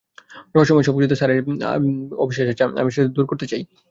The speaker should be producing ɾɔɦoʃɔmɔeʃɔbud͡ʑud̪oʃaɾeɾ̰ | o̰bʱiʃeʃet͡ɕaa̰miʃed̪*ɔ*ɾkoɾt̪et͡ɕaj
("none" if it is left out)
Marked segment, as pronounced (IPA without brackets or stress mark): u